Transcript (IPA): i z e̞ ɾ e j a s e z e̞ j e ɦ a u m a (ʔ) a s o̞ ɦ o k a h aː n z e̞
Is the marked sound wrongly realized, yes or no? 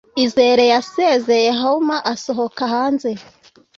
no